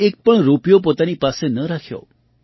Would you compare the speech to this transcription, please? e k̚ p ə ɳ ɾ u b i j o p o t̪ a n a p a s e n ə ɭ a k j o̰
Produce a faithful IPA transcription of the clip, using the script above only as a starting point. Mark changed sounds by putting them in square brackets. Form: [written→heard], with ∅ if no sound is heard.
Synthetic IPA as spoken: e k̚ p ə ɳ ɾ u [b→p] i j o p o t̪ a n [a→i] p a s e n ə [ɭ→ɾ] a [k→kʰ] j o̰